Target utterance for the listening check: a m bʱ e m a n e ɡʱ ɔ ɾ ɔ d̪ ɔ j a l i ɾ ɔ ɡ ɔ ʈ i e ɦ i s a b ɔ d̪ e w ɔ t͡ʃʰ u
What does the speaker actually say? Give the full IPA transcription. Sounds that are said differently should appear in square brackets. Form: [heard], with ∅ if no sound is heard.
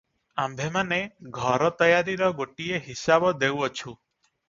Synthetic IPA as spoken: a m bʱ e m a n e ɡʱ ɔ ɾ ɔ [t̪] ɔ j a [ɾ] i ɾ ɔ ɡ [o] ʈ i e ɦ i s a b ɔ d̪ e w ɔ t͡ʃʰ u